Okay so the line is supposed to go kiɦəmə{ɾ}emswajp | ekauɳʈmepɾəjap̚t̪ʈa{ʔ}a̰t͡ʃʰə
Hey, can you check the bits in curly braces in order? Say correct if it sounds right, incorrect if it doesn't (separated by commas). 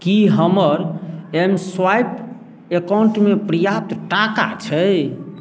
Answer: correct, incorrect